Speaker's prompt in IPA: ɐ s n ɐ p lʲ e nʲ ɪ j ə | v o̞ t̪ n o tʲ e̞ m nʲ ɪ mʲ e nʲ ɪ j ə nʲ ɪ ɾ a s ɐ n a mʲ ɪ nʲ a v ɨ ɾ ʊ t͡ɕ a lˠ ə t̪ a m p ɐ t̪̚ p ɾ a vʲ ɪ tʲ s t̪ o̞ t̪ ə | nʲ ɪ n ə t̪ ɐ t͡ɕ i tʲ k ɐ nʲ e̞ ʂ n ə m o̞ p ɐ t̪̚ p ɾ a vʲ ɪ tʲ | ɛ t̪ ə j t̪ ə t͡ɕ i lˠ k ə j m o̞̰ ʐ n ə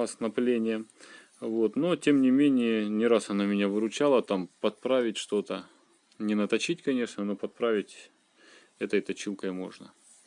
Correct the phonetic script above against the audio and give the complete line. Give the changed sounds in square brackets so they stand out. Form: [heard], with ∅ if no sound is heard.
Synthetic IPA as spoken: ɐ s n ɐ p lʲ e nʲ ɪ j ə | v o̞ t̪ n o tʲ e̞ m nʲ ɪ mʲ e nʲ ɪ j ə nʲ ɪ ɾ a s ɐ n a mʲ ɪ nʲ a v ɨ ɾ ʊ t͡ɕ a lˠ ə t̪ a m p ɐ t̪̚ p ɾ a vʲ ɪ tʲ [ʂ] t̪ o̞ t̪ ə | nʲ ɪ n ə t̪ ɐ t͡ɕ i tʲ k ɐ nʲ e̞ ʂ n ə [n] o̞ p ɐ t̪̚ p ɾ a vʲ ɪ tʲ | ɛ t̪ ə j t̪ [ɐ] t͡ɕ i lˠ k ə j m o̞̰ ʐ n ə

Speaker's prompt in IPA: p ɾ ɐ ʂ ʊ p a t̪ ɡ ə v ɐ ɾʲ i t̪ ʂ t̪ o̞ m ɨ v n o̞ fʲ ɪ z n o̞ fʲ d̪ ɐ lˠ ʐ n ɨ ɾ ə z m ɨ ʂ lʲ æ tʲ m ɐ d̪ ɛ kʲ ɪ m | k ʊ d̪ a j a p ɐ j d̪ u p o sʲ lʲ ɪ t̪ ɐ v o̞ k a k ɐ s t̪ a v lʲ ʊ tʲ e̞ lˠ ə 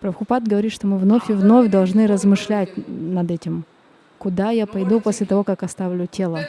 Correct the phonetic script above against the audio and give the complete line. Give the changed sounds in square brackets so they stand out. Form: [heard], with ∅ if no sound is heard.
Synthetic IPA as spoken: p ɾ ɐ [x] ʊ p a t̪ ɡ ə v ɐ ɾʲ i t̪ ʂ t̪ o̞ m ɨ v n o̞ fʲ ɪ [v] n o̞ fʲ d̪ ɐ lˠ ʐ n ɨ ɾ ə z m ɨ ʂ lʲ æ tʲ [n] ɐ d̪ ɛ [tʲ] ɪ m | k ʊ d̪ a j a p ɐ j d̪ u p o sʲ lʲ ɪ t̪ ɐ v o̞ k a k ɐ s t̪ a v lʲ ʊ tʲ e̞ lˠ ə

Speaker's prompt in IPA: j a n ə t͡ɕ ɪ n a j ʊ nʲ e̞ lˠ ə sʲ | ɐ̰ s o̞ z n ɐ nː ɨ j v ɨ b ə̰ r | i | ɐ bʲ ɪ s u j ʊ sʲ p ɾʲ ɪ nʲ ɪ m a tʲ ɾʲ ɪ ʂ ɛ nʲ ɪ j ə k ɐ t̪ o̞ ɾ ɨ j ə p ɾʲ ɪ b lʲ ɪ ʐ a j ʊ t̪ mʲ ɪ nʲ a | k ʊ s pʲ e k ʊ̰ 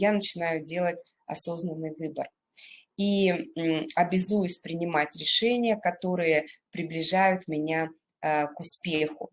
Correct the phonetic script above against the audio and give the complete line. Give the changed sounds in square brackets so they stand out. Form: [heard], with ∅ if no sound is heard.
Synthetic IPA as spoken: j a n ə t͡ɕ ɪ n a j ʊ [dʲ] e̞ lˠ ə [tʲ] | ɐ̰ s o̞ z n [ə] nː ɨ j v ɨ b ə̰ r | i | ɐ bʲ ɪ [z] u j ʊ sʲ p ɾʲ ɪ nʲ ɪ m a tʲ ɾʲ ɪ ʂ ɛ nʲ ɪ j ə k ɐ t̪ o̞ ɾ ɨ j ə p ɾʲ ɪ b lʲ ɪ ʐ a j ʊ t̪ mʲ ɪ nʲ a | k ʊ s pʲ e [x] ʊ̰

